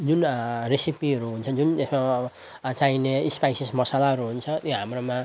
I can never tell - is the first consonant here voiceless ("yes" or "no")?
no